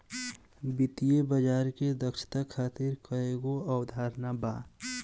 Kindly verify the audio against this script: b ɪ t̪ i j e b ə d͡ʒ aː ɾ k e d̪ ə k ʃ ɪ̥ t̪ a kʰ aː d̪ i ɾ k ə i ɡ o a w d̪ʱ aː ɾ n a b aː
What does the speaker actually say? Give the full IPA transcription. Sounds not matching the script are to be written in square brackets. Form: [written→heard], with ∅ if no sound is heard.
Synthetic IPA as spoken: b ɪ t̪ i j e b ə d͡ʒ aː ɾ k e d̪ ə k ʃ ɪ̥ t̪ a kʰ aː [d̪→t̪] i ɾ k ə [i→e] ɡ o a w d̪ʱ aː ɾ n a b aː